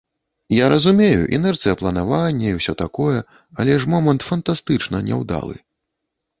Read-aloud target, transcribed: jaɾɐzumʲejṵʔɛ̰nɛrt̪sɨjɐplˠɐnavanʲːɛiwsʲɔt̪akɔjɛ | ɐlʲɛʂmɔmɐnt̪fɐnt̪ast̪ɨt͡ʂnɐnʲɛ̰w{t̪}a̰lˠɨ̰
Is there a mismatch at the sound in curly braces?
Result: yes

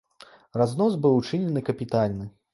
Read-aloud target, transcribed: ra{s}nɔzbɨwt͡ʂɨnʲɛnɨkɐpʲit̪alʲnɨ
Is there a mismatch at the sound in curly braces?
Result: yes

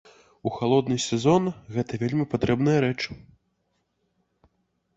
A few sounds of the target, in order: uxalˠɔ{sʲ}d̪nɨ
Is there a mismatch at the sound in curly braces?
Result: yes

